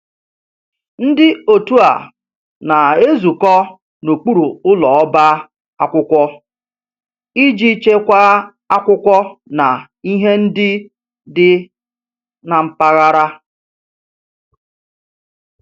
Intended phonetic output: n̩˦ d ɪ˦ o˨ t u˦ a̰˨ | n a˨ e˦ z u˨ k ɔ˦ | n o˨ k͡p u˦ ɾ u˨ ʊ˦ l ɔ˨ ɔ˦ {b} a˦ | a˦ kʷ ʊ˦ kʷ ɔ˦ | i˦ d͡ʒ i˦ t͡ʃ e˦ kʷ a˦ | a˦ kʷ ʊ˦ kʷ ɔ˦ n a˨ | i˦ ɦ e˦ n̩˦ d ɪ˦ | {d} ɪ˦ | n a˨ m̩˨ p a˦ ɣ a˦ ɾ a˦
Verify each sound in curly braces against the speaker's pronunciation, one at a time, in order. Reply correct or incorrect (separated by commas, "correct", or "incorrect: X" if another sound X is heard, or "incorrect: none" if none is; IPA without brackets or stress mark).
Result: correct, correct